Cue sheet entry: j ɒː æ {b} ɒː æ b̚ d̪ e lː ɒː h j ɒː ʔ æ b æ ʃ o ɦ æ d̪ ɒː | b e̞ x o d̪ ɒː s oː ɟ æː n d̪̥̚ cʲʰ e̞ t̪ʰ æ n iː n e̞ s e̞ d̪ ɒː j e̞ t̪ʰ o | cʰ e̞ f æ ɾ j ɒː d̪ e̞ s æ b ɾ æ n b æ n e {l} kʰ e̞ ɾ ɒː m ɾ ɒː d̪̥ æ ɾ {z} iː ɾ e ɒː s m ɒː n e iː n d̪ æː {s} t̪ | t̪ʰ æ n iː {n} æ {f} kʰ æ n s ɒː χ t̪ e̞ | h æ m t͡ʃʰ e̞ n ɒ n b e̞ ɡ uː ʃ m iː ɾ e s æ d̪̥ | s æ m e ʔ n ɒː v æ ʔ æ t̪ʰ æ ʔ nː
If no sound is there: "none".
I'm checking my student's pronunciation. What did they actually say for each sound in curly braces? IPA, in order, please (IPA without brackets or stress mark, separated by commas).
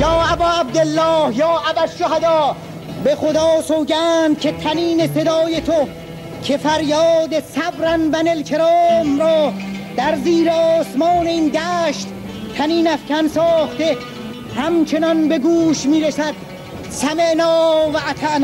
b, l, z, ʃ, n, f